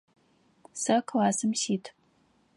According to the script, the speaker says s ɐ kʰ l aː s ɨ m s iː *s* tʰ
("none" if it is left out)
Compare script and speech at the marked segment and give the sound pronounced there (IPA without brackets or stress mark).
none